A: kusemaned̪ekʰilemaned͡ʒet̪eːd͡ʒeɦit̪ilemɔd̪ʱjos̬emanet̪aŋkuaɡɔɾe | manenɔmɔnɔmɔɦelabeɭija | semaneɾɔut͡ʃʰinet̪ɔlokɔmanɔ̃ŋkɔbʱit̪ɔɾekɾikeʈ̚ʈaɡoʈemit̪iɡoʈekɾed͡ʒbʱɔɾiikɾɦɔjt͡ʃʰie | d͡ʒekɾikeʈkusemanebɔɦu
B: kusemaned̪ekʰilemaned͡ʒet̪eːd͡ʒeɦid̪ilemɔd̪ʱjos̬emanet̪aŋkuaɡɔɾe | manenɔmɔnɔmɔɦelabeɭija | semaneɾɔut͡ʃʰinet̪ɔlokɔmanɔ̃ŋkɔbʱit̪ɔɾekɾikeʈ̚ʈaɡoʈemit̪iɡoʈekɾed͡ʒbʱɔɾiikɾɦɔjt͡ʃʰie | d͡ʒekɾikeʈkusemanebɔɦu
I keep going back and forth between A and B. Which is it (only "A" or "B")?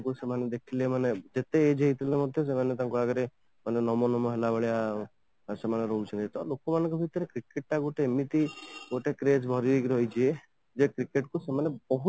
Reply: A